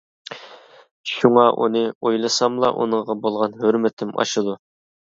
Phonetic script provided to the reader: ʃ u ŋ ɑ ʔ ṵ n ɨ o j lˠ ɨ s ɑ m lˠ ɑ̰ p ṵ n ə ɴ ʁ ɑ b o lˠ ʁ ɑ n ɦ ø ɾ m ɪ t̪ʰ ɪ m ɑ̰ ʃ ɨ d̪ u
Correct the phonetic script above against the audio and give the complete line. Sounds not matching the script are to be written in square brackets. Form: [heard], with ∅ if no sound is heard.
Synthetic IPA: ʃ u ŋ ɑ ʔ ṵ n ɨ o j lˠ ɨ s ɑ m lˠ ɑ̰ [ʔ] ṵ n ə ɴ ʁ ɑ b o lˠ ʁ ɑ n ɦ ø ɾ m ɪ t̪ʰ ɪ m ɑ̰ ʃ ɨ d̪ u